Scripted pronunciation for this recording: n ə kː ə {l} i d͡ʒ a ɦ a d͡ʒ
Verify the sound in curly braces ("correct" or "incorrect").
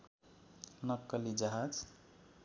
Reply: correct